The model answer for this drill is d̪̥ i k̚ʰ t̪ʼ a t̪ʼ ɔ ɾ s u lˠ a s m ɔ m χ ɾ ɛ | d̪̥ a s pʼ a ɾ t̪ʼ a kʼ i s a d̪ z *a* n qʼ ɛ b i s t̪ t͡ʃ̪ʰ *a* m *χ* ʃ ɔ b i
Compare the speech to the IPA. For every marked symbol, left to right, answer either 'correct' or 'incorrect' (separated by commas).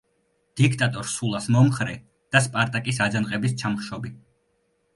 correct, correct, correct